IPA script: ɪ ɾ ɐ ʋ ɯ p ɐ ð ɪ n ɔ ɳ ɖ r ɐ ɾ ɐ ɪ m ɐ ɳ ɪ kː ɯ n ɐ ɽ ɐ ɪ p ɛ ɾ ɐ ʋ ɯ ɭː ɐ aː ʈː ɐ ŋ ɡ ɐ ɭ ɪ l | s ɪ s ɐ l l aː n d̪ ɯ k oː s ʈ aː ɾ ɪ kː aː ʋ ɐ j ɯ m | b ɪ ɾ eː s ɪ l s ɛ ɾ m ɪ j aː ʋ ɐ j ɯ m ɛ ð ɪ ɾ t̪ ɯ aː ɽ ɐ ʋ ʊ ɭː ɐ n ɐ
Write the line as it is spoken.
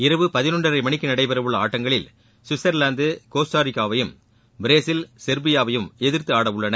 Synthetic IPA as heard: ɪ ɾ ɐ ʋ ɯ p ɐ ð ɪ n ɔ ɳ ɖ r ɐ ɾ ɐ ɪ m ɐ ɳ ɪ kː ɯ n ɐ ɽ ɐ ɪ p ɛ ɾ ɐ ʋ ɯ ɭː ɐ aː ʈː ɐ ŋ ɡ ɐ ɭ ɪ l | s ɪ s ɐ ɾ l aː n d̪ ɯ k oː s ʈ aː ɾ ɪ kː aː ʋ ɐ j ɯ m | b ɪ ɾ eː s ɪ l s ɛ ɾ b ɪ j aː ʋ ɐ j ɯ m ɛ ð ɪ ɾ t̪ ɯ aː ɽ ɐ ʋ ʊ ɭː ɐ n ɐ